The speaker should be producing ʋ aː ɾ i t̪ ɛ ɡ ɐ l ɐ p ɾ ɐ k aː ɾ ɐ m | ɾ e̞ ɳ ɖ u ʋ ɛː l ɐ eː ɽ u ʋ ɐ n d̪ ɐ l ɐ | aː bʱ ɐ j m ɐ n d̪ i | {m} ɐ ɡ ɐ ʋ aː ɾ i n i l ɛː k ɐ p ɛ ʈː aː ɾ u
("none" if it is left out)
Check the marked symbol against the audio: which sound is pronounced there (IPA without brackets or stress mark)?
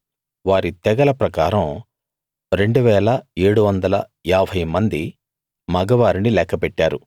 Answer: m